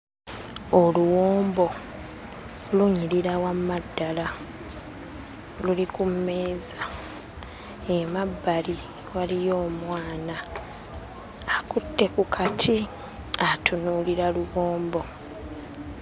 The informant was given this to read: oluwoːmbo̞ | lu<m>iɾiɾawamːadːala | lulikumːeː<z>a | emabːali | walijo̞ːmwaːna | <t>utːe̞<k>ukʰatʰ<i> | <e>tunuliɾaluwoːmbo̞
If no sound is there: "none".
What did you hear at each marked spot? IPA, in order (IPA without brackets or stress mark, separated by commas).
ɲ, z, k, k, i, a